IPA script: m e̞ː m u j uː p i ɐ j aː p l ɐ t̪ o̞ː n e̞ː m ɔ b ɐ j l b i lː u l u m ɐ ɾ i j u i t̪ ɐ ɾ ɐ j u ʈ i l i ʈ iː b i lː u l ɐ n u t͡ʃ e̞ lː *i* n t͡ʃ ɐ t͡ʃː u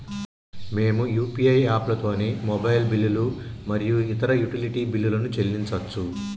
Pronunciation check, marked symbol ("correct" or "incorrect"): correct